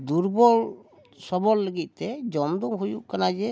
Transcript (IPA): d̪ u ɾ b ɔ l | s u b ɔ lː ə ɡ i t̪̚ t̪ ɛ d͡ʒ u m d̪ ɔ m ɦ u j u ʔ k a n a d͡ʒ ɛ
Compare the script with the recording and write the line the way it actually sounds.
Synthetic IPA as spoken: d̪ u ɾ b ɔ l | s ɔ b ɔ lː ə ɡ i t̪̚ t̪ ɛ d͡ʒ ɔ m d̪ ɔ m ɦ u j u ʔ k a n a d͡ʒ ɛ